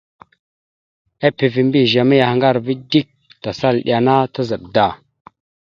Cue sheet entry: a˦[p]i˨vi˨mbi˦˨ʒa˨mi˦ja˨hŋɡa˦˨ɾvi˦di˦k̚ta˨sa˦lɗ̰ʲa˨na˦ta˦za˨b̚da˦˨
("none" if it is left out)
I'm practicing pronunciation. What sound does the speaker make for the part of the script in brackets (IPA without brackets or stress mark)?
p